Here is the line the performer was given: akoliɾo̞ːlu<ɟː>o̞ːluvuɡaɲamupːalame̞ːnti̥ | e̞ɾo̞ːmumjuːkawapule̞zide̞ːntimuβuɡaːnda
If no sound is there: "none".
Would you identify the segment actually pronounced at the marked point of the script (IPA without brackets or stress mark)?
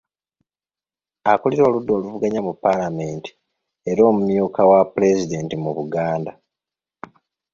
dː